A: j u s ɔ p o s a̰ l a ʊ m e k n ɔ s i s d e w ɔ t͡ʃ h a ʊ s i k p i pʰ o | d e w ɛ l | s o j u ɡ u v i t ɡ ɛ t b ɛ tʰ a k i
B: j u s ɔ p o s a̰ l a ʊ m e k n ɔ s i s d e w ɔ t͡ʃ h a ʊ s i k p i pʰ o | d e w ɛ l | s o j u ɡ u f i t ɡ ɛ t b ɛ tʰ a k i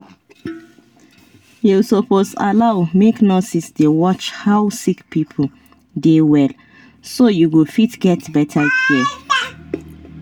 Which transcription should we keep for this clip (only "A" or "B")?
B